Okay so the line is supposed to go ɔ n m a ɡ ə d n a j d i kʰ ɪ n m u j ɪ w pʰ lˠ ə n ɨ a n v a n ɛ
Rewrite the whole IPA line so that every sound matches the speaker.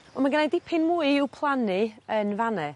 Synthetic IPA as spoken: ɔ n m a ɡ ə n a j d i pʰ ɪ n m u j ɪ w pʰ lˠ a n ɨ ə n v a n ɛ